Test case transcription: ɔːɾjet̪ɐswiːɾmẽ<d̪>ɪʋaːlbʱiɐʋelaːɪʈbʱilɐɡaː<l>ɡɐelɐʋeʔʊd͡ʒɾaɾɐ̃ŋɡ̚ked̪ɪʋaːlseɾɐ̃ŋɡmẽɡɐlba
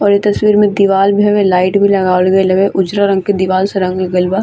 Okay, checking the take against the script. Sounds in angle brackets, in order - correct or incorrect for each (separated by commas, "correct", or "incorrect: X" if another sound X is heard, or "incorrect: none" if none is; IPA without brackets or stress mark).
correct, correct